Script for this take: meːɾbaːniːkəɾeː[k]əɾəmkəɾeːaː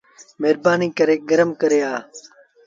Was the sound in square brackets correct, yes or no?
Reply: no